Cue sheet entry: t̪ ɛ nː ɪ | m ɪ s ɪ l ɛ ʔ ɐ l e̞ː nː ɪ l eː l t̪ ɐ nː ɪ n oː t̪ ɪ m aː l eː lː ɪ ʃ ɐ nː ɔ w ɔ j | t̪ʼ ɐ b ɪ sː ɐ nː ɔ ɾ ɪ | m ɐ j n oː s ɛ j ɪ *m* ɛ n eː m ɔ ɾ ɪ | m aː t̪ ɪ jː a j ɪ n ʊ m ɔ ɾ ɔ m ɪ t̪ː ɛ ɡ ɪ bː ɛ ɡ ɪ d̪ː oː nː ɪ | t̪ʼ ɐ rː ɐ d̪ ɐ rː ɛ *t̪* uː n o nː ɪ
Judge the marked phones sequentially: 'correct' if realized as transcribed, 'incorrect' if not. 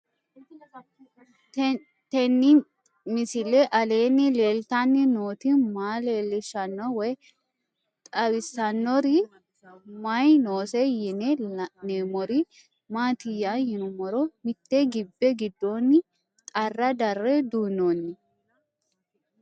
incorrect, incorrect

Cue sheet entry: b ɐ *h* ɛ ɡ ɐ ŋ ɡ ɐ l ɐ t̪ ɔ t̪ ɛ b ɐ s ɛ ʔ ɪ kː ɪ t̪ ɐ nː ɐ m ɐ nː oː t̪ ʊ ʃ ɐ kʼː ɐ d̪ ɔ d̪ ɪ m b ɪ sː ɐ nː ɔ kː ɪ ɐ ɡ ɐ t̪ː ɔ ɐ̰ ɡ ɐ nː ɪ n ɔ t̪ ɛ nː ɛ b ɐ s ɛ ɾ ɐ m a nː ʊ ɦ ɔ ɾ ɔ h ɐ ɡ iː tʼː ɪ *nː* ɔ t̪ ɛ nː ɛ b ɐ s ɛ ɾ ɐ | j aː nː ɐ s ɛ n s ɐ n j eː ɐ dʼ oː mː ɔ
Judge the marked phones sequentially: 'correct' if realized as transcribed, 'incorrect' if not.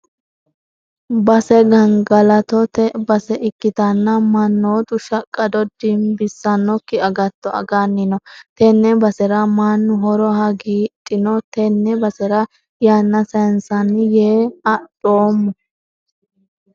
incorrect, incorrect

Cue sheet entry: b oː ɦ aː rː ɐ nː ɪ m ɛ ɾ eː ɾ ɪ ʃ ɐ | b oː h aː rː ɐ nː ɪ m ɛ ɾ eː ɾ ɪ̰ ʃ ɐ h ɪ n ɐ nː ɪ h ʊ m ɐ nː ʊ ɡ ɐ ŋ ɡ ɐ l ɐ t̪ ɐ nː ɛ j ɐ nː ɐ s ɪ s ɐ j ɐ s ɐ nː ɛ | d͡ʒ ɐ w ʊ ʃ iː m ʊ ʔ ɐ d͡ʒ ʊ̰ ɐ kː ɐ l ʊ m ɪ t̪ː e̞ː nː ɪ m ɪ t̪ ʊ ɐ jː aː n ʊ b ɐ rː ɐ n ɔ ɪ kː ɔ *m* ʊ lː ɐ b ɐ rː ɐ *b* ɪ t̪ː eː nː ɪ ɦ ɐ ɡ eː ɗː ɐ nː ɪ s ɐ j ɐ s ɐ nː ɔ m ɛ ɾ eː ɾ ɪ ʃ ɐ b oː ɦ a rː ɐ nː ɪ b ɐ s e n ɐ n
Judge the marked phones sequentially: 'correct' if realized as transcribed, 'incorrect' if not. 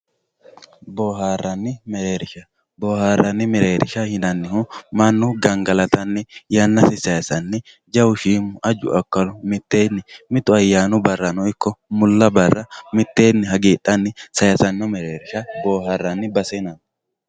correct, incorrect

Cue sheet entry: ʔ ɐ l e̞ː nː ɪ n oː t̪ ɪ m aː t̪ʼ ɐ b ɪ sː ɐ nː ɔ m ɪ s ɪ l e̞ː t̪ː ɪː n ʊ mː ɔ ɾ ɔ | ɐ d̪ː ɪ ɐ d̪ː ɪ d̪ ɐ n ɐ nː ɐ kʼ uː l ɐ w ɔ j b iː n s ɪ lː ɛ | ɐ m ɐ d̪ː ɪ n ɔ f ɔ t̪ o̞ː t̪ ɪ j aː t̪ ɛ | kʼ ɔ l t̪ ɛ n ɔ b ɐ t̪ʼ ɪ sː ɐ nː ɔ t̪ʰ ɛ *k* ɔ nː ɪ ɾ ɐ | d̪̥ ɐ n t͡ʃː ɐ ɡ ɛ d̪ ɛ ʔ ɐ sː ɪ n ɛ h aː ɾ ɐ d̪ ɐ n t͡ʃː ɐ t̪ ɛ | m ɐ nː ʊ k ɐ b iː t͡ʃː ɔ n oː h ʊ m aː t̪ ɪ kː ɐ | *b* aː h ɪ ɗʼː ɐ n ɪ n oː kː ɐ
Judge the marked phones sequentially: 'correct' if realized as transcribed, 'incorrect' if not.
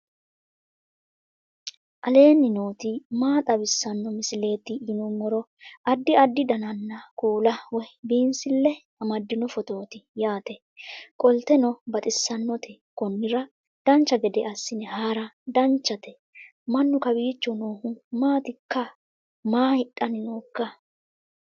correct, incorrect

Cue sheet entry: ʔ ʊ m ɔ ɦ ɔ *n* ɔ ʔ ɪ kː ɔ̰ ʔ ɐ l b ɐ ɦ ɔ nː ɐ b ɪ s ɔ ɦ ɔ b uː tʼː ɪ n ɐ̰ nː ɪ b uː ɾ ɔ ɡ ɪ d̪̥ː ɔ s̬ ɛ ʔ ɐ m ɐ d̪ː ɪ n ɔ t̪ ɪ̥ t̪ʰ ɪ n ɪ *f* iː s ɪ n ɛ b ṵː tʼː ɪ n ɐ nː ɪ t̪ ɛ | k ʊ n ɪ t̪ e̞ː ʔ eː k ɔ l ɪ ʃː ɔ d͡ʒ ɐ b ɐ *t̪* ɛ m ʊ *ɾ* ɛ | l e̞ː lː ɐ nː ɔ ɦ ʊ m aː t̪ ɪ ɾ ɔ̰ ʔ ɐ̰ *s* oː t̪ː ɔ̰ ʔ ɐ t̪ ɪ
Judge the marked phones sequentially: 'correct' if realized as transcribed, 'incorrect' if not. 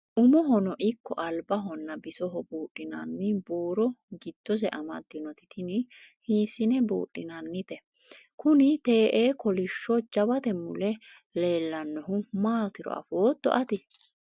correct, incorrect, correct, incorrect, incorrect

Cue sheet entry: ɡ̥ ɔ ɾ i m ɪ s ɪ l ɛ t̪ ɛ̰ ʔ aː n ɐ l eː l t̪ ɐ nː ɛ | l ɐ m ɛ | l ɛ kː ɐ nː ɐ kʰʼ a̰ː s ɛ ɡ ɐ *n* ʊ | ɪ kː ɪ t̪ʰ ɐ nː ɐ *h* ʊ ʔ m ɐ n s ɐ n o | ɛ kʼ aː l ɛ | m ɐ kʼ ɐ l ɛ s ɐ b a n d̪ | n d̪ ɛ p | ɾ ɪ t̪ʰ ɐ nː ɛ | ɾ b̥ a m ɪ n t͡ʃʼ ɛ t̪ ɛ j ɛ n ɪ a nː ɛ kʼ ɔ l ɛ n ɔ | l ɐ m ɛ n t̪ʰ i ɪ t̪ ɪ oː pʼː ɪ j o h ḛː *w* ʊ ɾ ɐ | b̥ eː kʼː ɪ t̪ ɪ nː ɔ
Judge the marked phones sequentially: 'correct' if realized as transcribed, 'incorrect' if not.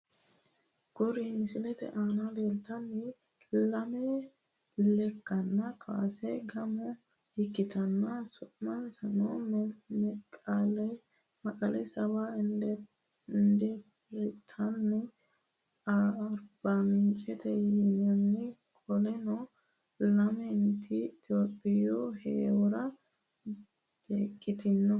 incorrect, incorrect, correct

